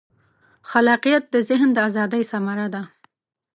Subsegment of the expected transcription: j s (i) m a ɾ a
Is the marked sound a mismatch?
yes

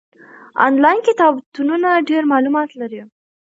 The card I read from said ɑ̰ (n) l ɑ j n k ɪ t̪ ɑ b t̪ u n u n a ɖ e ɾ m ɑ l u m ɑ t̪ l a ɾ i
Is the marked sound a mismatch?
no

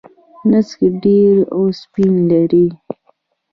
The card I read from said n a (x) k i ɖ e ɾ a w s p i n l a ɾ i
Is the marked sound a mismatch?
yes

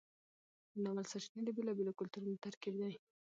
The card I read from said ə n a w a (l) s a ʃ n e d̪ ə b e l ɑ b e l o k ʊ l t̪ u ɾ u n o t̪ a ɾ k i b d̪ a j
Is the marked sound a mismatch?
no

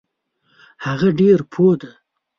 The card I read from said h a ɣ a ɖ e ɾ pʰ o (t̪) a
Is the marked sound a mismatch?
yes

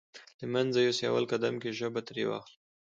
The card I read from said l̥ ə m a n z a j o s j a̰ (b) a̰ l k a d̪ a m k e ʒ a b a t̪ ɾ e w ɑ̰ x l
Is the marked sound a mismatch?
yes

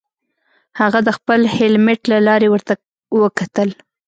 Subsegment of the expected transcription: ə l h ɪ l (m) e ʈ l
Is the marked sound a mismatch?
no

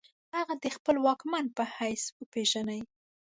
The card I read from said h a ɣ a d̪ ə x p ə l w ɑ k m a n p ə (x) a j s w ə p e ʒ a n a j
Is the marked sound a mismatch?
yes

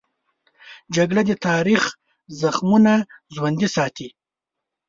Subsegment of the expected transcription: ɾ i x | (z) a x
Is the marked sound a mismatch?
no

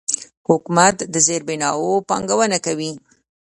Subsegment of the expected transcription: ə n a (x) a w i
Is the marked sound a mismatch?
yes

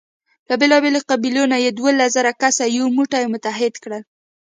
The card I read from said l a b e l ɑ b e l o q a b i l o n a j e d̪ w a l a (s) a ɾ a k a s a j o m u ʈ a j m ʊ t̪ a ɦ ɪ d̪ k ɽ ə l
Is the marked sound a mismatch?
yes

